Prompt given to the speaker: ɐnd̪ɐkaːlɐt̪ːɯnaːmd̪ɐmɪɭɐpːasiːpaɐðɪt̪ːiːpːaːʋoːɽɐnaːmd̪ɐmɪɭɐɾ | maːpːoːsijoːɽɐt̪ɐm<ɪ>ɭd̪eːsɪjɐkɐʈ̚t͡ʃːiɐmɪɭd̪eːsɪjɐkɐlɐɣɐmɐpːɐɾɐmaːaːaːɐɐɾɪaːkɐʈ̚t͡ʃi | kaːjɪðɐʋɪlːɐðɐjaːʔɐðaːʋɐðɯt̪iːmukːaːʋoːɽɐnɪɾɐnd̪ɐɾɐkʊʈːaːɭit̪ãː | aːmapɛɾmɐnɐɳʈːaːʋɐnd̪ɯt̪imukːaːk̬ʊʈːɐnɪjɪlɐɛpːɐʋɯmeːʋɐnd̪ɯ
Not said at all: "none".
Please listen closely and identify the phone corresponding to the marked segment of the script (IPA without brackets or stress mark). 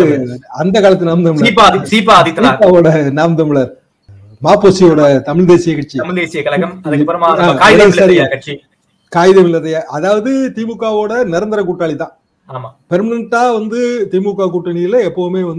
ɪ